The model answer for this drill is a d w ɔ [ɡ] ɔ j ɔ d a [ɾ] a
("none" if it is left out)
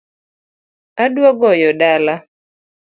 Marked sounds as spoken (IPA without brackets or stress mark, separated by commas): ɡ, l